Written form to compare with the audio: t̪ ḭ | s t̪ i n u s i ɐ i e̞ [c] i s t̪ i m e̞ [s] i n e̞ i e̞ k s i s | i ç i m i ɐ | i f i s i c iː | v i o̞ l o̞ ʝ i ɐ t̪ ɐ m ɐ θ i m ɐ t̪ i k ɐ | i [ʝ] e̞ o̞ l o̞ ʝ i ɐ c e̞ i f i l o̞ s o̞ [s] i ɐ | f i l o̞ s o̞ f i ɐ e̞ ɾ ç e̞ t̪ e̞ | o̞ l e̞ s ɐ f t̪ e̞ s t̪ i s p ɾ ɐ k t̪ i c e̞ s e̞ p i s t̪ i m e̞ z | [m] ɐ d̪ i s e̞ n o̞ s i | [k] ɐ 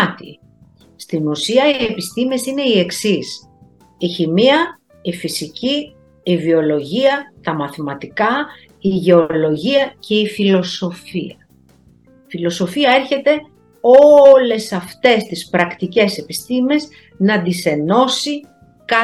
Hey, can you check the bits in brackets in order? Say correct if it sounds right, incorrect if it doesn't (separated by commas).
incorrect, correct, correct, incorrect, incorrect, correct